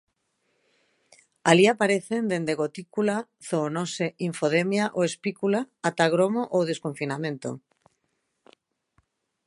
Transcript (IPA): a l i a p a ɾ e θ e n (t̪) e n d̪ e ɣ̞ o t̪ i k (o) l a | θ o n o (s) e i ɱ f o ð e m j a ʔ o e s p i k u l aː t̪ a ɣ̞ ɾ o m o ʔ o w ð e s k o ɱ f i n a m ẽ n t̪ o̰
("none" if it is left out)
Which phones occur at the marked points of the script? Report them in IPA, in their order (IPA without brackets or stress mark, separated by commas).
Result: d̪, u, s